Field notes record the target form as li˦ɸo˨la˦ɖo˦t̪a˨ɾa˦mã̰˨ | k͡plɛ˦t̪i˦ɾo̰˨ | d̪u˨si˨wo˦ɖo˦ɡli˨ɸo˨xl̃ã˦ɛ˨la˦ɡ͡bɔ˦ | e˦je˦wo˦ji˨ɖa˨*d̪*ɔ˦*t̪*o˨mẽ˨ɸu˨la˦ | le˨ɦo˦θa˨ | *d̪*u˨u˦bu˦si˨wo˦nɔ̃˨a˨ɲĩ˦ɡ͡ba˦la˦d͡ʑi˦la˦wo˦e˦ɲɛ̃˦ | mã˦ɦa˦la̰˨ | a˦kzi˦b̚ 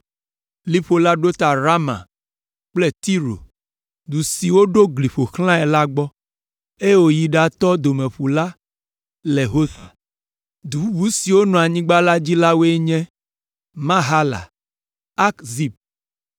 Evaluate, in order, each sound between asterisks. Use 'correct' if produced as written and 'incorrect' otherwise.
incorrect: t̪, incorrect: d̪, correct

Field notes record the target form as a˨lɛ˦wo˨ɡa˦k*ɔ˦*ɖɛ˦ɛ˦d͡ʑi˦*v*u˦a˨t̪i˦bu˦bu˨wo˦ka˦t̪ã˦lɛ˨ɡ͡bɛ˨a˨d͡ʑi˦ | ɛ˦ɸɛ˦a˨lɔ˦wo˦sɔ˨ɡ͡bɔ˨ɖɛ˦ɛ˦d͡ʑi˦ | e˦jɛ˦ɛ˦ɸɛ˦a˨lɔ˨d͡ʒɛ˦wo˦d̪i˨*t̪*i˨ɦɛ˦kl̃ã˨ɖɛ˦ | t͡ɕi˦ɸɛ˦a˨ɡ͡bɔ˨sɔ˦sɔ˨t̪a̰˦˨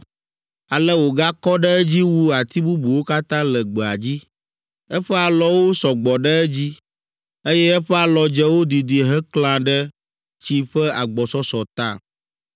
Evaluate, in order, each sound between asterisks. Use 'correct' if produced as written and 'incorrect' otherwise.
correct, incorrect: w, incorrect: d̪

